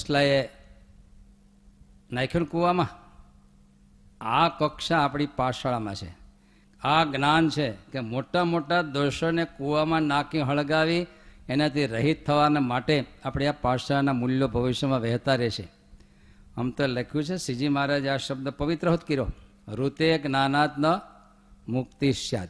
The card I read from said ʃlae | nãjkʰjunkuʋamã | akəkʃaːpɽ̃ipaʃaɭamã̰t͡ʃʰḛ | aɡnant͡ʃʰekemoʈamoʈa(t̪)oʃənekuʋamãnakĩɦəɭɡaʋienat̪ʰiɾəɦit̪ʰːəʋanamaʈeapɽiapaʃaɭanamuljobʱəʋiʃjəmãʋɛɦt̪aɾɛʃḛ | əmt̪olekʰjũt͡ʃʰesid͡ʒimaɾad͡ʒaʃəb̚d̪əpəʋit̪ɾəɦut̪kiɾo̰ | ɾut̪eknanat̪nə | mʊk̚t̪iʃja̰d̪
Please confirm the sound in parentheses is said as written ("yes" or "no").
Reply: no